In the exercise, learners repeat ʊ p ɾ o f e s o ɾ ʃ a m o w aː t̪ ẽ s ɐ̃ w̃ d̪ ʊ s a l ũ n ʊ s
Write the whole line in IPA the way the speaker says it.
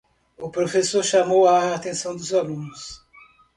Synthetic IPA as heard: ʊ p ɾ o f e s o ɾ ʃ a m o w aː t̪ ẽ s ɐ̃ w̃ d̪ ʊ z a l ũ n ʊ s